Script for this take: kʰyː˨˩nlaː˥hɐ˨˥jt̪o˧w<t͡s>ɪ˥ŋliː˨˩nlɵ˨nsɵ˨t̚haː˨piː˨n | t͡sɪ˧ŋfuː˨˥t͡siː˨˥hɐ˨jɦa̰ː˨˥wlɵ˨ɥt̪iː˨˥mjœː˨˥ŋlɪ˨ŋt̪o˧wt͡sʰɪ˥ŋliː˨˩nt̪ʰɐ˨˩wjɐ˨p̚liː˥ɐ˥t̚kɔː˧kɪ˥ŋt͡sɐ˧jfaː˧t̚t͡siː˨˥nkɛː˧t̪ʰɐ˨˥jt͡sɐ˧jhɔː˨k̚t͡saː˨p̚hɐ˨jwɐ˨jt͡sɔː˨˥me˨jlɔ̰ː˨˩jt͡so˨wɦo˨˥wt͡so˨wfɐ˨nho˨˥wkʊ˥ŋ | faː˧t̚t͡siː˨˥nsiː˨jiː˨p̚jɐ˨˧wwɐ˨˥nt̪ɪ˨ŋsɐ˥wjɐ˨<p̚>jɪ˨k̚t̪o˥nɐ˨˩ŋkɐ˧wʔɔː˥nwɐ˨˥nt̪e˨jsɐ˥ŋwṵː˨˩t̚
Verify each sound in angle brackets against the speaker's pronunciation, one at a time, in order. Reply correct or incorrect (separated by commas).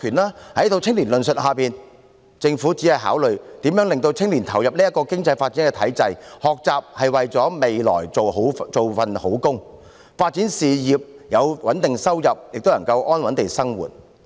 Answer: incorrect, correct